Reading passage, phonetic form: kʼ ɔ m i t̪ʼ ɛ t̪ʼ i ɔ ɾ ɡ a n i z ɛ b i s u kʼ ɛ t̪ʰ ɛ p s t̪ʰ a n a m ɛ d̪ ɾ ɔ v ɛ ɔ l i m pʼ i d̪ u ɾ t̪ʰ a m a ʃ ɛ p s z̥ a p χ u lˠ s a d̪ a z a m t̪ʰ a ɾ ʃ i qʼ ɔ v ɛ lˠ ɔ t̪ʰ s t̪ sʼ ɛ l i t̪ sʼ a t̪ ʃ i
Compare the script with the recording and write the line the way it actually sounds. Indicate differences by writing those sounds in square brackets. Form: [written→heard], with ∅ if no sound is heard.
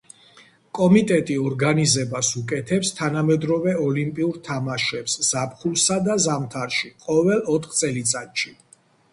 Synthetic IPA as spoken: kʼ ɔ m i t̪ʼ ɛ t̪ʼ i ɔ ɾ ɡ a n i z ɛ b [i→a] s u kʼ ɛ t̪ʰ ɛ p s t̪ʰ a n a m ɛ d̪ ɾ ɔ v ɛ ɔ l i m pʼ i [d̪→∅] u ɾ t̪ʰ a m a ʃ ɛ p s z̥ a p χ u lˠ s a d̪ a z a m t̪ʰ a ɾ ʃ i qʼ ɔ v ɛ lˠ ɔ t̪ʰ [s→χ] t̪ sʼ ɛ l i t̪ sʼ a t̪ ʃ i